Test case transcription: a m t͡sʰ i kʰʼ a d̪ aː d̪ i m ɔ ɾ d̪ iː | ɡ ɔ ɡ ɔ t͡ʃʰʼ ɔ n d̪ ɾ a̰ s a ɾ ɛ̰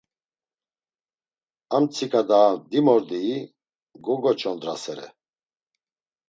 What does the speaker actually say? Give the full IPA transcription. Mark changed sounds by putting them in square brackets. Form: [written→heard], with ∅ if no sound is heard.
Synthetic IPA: a m t͡sʰ i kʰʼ a d̪ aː d̪ i m ɔ ɾ d̪ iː | ɡ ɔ ɡ ɔ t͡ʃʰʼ ɔ n d̪ ɾ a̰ s [a→ɛ] ɾ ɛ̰